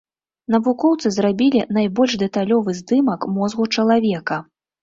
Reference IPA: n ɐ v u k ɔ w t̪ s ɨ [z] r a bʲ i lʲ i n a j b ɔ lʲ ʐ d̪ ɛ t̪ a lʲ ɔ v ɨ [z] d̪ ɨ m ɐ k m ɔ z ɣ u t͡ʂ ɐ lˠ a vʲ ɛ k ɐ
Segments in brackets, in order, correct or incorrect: correct, correct

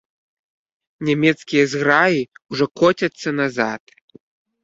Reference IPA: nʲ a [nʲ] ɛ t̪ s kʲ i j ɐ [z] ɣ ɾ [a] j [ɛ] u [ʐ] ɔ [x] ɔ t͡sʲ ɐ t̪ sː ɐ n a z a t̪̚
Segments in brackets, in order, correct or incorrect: incorrect: mʲ, correct, correct, incorrect: i, correct, incorrect: k

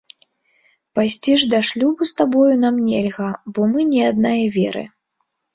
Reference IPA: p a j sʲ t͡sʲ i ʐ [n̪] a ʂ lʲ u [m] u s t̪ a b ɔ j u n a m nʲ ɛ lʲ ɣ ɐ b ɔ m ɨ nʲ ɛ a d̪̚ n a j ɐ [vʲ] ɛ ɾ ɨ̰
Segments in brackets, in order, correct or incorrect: incorrect: d̪, incorrect: b, correct

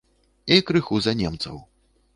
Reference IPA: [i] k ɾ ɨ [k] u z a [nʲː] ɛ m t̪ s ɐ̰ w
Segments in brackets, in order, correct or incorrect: correct, incorrect: x, incorrect: nʲ

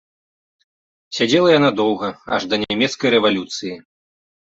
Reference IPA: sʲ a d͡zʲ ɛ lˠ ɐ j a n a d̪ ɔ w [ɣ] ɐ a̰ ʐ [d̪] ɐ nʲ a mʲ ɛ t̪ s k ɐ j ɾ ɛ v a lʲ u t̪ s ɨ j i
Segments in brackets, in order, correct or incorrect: correct, correct

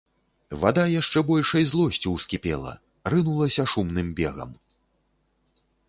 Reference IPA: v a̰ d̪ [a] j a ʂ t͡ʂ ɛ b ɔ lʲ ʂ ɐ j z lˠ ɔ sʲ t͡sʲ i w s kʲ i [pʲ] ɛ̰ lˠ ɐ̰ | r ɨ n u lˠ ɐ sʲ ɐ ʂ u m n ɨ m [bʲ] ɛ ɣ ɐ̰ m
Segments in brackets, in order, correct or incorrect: correct, correct, correct

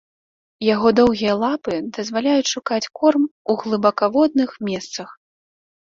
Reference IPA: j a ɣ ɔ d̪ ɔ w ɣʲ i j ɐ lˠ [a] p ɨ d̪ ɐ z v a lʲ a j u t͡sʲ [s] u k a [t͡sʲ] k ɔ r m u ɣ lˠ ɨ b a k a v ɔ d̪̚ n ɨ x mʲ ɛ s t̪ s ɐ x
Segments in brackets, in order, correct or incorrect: correct, incorrect: ʂ, correct

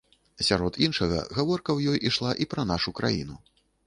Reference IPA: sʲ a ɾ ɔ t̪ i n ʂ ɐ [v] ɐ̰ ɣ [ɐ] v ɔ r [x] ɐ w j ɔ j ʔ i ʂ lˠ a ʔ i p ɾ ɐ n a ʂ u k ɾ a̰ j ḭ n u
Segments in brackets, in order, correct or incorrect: incorrect: ɣ, incorrect: a, incorrect: k

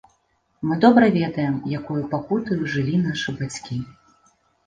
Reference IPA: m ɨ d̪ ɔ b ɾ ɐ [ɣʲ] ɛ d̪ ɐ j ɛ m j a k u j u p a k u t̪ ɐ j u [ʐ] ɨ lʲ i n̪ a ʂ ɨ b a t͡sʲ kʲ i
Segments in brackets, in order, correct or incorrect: incorrect: vʲ, correct

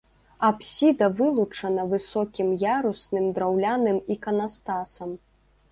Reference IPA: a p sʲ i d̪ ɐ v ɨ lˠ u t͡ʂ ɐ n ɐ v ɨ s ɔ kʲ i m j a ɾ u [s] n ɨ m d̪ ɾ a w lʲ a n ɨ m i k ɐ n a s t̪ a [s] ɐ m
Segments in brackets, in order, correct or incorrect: correct, correct

